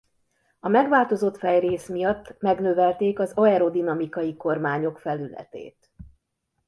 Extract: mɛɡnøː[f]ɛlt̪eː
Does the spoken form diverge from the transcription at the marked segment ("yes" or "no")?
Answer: yes